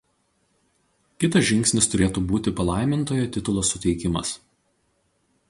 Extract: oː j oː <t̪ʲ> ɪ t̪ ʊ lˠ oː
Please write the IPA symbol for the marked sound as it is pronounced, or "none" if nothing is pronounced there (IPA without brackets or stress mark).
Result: t̪ʲ